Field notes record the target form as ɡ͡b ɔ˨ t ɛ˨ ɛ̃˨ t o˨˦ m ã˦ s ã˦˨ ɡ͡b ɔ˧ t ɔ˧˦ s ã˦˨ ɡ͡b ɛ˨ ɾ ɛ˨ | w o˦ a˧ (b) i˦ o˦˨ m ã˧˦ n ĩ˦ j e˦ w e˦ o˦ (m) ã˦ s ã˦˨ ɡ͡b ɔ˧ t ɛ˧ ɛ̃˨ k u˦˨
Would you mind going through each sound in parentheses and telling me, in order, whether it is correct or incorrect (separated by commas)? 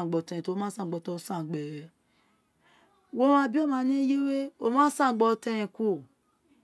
correct, correct